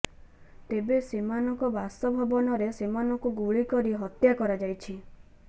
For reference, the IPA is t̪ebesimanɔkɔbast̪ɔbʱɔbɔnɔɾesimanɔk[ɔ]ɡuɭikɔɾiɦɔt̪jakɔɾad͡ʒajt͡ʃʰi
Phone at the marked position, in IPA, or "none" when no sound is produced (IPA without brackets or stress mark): u